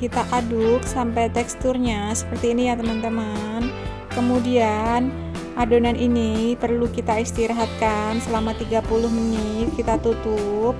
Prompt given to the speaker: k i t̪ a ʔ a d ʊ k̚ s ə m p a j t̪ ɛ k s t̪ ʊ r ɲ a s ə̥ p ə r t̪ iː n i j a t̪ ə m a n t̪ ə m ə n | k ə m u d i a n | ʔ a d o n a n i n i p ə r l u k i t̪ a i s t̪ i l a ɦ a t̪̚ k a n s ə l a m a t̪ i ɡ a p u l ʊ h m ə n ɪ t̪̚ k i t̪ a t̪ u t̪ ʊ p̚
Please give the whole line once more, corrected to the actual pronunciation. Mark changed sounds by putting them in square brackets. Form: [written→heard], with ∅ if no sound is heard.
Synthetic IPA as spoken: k i t̪ a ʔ a d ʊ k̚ s [ə→a] m p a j t̪ ɛ k s t̪ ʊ r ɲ a s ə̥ p ə r t̪ iː n i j a t̪ ə m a n t̪ ə m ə n | k ə m u d i a n | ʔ a d o n a n i n i p ə r l u k i t̪ a i s t̪ i [l→ɾ] a ɦ a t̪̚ k a n s ə l a m a t̪ i ɡ a p u l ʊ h m ə n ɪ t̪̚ k i t̪ a t̪ u t̪ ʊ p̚